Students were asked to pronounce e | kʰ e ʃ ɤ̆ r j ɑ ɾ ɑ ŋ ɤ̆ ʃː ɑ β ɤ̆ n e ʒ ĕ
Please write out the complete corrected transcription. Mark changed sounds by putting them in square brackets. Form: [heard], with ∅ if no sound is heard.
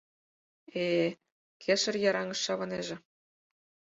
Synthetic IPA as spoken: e | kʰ e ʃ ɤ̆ r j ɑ ɾ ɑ ŋ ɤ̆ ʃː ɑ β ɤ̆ n e ʒ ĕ